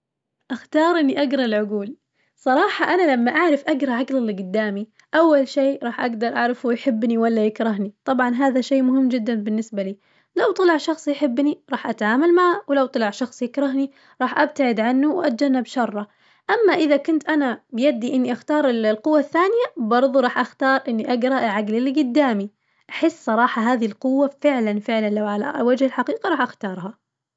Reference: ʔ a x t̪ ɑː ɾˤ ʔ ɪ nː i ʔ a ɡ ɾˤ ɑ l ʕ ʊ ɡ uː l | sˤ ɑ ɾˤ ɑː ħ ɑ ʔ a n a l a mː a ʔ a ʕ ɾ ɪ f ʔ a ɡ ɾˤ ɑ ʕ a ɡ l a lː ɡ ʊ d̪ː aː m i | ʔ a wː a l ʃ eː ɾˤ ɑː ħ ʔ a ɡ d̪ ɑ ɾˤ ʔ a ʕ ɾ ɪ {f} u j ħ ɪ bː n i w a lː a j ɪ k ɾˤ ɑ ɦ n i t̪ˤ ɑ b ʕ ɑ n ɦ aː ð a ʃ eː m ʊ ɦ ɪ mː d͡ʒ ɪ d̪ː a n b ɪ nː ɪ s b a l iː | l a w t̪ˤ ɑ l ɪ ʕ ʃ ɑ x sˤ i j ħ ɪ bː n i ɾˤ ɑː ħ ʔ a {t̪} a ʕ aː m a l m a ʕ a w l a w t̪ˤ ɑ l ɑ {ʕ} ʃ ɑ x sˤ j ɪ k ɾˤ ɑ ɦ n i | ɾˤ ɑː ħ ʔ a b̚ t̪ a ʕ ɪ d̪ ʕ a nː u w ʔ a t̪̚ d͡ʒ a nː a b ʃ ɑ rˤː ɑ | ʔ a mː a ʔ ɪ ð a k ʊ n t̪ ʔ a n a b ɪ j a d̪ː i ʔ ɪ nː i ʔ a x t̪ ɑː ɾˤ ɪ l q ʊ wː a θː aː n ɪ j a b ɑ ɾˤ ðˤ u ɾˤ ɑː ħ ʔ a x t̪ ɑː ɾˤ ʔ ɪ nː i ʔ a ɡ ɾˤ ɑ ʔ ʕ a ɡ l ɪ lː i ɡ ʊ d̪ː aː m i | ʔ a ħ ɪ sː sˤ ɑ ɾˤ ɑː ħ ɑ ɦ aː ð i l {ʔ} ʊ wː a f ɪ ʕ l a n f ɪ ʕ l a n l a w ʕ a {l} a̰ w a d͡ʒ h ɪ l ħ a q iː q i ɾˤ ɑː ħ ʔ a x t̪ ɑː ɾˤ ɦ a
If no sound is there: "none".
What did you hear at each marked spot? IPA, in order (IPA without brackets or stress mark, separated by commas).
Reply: f, t̪, ʕ, q, l